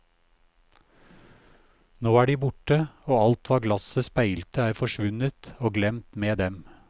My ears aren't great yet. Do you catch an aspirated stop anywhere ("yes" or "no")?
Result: no